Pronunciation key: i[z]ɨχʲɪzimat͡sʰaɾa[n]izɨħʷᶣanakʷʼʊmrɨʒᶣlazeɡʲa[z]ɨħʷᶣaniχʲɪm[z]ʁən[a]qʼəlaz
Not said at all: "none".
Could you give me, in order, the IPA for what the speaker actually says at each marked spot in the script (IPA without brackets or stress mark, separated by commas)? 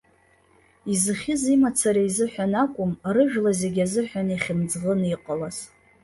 z, none, z, d͡z, i